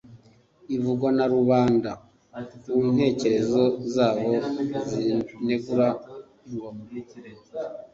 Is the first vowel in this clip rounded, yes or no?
no